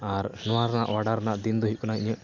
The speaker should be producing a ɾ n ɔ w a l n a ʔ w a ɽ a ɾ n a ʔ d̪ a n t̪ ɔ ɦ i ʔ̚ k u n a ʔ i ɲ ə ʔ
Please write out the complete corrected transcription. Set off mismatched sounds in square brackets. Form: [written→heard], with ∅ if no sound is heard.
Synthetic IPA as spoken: a ɾ n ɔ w a [l→ɾ] n a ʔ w a ɽ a ɾ n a ʔ d̪ [a→i] n [t̪→d̪] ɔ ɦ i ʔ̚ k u n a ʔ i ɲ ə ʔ